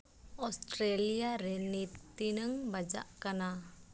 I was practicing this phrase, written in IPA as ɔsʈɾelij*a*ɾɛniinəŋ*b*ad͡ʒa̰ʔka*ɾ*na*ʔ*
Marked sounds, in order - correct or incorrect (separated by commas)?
correct, correct, incorrect, incorrect